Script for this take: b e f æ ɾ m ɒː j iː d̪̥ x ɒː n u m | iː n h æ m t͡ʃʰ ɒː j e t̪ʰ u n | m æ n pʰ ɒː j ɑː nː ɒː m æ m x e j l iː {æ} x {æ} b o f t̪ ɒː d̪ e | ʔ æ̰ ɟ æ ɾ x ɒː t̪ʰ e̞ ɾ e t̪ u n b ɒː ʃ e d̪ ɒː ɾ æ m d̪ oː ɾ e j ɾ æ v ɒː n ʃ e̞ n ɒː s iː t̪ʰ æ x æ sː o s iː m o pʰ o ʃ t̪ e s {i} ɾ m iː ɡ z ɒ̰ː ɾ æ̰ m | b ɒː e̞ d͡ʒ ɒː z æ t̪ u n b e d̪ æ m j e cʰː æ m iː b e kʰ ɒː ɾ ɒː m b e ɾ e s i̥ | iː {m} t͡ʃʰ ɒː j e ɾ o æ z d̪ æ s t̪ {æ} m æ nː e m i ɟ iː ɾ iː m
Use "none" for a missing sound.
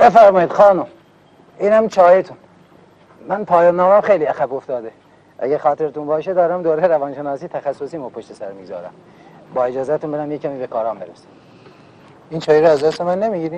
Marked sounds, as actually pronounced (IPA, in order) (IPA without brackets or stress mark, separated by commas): æ, æ, æ, n, e